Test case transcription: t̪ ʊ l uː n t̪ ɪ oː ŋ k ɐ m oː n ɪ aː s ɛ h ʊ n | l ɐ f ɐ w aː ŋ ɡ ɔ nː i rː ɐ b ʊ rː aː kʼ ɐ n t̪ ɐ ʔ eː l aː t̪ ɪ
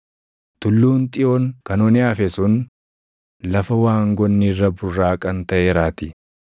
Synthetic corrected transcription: t̪ ʊ lː uː n t̪ʼ ɪ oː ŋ k ɐ n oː n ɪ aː f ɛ s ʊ n | l ɐ f ɐ w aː ŋ ɡ ɔ nː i rː ɐ b ʊ rː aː kʼ ɐ n t̪ ɐ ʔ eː ɾ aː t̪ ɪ